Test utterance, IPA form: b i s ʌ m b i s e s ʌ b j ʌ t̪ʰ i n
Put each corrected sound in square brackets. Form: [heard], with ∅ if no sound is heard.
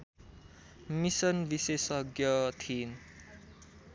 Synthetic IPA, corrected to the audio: [m] i s ʌ [n] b i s e s ʌ [ɡ] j ʌ t̪ʰ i n